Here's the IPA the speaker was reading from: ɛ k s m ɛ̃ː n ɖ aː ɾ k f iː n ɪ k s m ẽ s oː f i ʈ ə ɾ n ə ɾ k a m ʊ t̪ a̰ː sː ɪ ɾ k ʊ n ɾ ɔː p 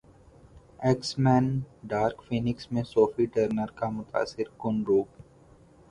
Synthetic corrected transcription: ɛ k s m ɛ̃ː n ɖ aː ɾ k f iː n ɪ k s m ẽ s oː f i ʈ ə ɾ n ə ɾ k a m ʊ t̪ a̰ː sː ɪ ɾ k ʊ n ɾ uː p